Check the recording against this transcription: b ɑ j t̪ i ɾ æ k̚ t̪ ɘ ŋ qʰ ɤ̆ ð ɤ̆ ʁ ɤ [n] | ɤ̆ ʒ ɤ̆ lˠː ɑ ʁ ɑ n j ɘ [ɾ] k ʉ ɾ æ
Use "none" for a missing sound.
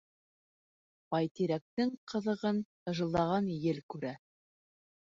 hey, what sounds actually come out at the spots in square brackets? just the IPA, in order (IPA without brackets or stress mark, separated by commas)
n, l